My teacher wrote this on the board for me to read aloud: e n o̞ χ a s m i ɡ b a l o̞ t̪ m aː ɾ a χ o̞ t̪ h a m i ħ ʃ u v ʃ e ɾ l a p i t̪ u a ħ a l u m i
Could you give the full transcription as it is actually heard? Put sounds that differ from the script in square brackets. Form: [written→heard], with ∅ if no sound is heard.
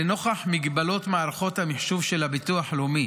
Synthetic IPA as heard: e n o̞ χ a [s→ħ] m i ɡ b a l o̞ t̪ m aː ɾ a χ o̞ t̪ h a m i ħ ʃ u v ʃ e [ɾ→∅] l a [p→b] i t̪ u a ħ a l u m i